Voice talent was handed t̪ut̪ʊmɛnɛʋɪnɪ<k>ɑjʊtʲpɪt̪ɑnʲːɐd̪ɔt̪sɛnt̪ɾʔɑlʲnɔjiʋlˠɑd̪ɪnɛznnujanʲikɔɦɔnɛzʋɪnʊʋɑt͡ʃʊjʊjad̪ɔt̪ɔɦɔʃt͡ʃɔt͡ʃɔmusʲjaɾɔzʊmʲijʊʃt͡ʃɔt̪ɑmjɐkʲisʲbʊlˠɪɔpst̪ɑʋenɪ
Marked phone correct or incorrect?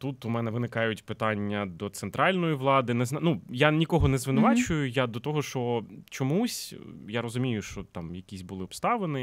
correct